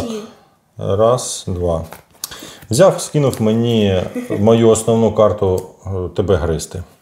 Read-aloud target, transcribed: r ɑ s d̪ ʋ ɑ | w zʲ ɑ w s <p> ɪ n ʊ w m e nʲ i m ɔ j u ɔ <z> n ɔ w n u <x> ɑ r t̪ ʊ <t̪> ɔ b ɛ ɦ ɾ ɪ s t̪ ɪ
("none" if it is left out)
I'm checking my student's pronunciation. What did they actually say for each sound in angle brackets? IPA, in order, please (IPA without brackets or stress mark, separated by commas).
k, s, k, t̪